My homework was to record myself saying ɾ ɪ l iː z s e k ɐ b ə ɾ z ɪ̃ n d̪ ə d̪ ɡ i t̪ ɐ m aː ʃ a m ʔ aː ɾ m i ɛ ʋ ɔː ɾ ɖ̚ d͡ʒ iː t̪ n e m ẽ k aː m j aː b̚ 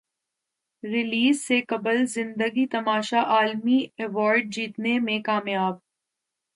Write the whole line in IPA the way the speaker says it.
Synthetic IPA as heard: ɾ ɪ l iː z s e k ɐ b ə l z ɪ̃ n d̪ ə ɡ i t̪ ɐ m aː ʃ a ʔ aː l m i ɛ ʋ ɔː ɾ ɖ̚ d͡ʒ iː t̪ n e m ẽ k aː m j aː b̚